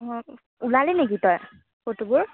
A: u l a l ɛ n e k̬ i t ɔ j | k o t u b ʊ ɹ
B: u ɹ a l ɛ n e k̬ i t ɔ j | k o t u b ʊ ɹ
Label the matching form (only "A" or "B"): A